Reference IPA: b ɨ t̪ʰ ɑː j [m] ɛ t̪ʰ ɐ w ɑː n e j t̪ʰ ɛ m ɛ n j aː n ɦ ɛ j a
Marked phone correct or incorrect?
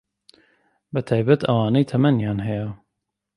incorrect